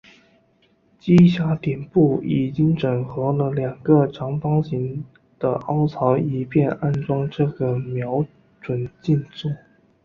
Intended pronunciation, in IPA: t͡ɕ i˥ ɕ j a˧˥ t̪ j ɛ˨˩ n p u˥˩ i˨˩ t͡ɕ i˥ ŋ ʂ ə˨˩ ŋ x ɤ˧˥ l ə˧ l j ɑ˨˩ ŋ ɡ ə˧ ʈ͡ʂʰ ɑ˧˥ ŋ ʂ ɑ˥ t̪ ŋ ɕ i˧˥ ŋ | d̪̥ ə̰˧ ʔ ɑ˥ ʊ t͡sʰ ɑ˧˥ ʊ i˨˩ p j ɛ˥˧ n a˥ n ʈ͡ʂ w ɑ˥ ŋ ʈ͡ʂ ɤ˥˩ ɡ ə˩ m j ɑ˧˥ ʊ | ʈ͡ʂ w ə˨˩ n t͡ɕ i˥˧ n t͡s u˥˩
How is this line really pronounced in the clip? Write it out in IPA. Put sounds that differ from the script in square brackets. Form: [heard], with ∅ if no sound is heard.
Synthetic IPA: t͡ɕ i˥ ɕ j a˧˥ t̪ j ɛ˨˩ n p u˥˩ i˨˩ t͡ɕ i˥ ŋ [ʈ͡ʂ] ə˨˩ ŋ x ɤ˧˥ l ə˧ l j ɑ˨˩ ŋ ɡ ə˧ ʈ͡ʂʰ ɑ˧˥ ŋ [f] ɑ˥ [∅] ŋ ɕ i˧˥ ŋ | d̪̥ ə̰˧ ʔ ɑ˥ ʊ t͡sʰ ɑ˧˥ ʊ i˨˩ p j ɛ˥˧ n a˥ n ʈ͡ʂ w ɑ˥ ŋ ʈ͡ʂ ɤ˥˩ ɡ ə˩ m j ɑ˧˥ ʊ | ʈ͡ʂ w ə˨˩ n t͡ɕ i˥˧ n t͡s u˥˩